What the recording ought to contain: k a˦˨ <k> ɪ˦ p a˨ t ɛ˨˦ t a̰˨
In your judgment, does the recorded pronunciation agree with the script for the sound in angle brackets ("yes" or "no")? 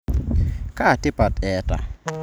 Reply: no